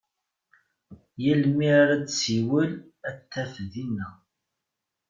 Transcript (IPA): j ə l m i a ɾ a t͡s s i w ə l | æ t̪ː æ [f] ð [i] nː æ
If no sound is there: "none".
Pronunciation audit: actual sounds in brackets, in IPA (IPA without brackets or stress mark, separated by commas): f, i